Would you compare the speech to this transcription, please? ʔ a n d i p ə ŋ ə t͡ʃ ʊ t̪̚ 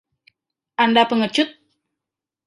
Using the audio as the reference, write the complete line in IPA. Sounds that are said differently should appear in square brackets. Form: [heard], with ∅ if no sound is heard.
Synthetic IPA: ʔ a n d [a] p ə ŋ ə t͡ʃ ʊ t̪̚